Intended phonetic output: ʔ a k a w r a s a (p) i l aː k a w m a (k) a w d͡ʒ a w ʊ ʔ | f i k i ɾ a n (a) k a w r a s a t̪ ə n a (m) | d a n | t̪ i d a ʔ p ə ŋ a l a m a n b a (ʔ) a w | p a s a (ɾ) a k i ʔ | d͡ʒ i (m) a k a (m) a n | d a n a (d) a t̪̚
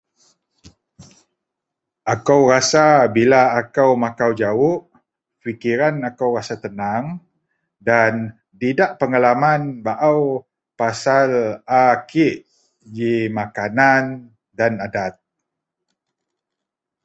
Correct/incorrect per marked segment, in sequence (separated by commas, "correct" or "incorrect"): incorrect, correct, correct, incorrect, correct, incorrect, correct, incorrect, correct